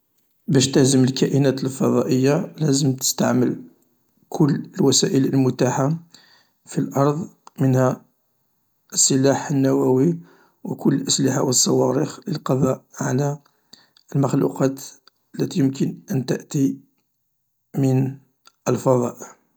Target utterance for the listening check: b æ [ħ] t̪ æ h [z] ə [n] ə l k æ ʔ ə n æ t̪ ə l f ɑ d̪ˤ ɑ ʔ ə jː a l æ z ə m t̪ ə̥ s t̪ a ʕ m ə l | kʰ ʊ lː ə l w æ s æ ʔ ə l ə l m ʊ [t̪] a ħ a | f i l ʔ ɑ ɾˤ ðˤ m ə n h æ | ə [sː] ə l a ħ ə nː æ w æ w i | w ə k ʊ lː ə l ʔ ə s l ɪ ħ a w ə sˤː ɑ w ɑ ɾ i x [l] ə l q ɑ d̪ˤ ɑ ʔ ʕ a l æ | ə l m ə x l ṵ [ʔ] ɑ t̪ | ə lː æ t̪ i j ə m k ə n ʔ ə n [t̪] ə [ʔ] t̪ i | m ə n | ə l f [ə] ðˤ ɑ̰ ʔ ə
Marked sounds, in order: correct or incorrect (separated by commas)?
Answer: incorrect, correct, incorrect, correct, correct, correct, incorrect, correct, correct, incorrect